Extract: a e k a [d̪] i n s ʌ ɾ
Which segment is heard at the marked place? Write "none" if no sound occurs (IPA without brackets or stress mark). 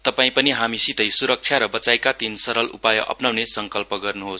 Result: t̪